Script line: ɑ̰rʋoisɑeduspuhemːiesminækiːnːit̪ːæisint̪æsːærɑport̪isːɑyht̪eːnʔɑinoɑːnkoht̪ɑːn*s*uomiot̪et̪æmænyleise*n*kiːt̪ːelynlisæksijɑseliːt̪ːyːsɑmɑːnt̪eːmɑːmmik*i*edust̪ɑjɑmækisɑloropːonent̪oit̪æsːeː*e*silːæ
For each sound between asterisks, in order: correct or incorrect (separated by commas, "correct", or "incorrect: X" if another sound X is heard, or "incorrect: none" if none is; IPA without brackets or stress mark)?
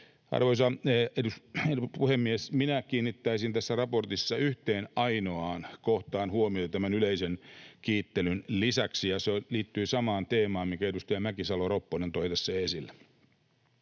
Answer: incorrect: h, correct, incorrect: æ, correct